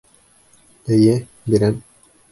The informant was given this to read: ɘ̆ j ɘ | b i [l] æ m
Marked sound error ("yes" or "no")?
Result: yes